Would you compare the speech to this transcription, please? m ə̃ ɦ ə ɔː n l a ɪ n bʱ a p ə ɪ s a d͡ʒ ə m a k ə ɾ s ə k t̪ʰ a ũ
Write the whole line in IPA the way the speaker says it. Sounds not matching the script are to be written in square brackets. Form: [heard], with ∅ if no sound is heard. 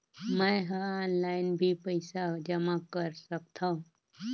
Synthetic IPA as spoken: m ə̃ ɦ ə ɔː n l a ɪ n bʱ [i] p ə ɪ s a d͡ʒ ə m a k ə ɾ s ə k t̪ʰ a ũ